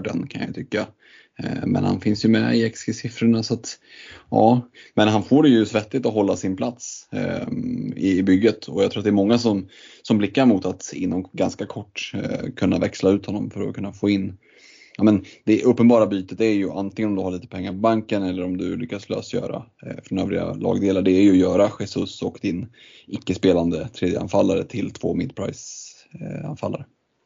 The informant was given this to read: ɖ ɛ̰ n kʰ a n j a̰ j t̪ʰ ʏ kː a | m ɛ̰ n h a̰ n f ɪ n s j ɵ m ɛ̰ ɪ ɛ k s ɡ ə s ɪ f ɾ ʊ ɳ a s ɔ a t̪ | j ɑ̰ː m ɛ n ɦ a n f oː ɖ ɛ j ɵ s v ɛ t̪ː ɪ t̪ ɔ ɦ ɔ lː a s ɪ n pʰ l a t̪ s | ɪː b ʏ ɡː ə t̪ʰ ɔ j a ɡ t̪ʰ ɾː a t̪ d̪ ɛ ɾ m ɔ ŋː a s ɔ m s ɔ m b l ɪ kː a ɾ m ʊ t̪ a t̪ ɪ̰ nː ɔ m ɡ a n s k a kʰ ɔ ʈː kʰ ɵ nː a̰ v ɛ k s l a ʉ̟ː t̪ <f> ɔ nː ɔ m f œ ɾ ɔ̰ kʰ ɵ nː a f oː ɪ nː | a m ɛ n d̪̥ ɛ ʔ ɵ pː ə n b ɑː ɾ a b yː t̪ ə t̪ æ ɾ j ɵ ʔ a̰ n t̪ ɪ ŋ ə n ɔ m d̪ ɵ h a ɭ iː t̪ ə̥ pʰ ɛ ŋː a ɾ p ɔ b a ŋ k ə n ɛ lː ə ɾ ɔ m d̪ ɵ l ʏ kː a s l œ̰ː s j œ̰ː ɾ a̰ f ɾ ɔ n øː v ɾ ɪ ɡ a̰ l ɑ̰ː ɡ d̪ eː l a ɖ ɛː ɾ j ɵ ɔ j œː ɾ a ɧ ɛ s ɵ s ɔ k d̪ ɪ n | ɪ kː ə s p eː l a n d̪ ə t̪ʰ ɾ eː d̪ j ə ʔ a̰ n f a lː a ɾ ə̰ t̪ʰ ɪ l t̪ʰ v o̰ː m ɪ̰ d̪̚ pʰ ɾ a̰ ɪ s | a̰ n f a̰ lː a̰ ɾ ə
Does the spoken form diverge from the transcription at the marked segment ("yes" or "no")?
yes